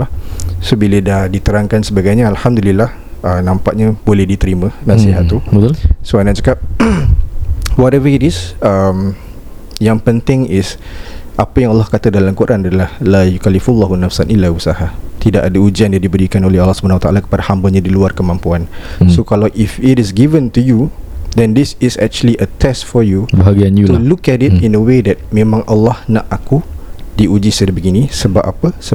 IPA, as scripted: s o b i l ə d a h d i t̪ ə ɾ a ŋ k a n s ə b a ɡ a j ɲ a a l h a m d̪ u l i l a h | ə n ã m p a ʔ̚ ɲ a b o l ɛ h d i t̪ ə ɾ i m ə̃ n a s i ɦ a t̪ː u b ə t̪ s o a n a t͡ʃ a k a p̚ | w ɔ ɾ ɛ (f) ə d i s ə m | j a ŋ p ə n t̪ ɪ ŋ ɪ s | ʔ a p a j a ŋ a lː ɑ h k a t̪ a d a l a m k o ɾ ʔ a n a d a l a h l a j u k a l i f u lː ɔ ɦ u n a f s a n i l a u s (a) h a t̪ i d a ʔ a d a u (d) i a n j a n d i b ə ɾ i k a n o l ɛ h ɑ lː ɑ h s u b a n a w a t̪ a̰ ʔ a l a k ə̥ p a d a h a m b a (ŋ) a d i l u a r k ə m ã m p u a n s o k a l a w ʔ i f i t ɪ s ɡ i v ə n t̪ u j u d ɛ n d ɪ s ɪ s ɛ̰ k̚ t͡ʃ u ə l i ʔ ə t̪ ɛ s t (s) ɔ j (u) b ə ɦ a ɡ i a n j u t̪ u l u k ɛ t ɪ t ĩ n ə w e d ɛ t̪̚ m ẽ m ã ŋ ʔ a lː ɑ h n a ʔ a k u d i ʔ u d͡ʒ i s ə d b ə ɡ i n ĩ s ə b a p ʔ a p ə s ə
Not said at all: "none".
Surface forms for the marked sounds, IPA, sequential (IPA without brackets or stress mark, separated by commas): v, a, d͡ʒ, ɲ, f, u